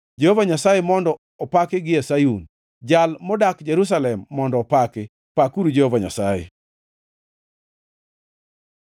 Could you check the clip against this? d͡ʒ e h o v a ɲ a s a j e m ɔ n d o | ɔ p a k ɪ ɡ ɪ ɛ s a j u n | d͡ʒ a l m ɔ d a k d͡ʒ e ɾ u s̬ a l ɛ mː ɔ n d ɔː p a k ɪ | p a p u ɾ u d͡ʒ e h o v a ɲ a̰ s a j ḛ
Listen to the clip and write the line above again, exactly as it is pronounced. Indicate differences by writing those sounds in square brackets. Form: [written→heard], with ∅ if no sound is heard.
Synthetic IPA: d͡ʒ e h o v a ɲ a s a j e m ɔ n d [o→ɔ] | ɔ p a k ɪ ɡ ɪ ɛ s a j u n | d͡ʒ a l m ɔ d a k d͡ʒ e ɾ u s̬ a l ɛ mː ɔ n d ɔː p a k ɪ | p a [p→k] u ɾ u d͡ʒ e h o v a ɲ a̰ s a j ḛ